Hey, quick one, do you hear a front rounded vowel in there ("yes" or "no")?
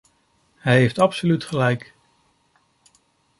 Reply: yes